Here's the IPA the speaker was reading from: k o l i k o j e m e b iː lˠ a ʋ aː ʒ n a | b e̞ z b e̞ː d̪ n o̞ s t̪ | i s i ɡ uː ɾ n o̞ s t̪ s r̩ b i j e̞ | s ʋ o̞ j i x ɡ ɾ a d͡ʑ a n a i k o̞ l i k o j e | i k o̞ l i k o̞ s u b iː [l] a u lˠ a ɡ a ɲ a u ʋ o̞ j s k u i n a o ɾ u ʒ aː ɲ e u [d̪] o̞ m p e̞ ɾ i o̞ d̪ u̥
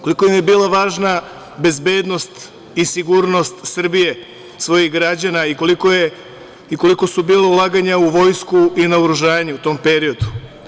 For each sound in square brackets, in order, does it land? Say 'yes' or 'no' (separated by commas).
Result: yes, no